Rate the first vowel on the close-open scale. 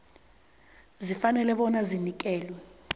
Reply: close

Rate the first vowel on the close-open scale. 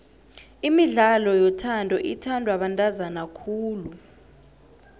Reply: close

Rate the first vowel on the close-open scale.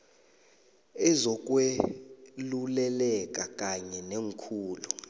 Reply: mid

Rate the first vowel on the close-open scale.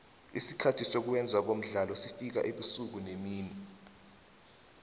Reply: close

